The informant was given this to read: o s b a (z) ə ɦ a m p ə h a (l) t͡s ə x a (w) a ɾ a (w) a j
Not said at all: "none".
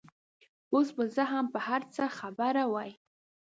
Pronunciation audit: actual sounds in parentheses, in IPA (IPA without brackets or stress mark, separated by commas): z, ɾ, b, w